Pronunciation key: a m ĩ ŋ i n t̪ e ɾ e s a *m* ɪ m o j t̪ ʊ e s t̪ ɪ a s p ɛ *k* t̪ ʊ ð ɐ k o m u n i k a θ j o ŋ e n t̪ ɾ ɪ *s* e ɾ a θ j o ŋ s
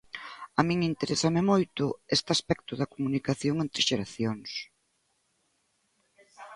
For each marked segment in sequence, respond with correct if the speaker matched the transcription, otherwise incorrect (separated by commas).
correct, correct, incorrect